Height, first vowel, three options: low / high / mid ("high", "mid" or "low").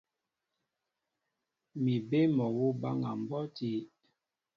high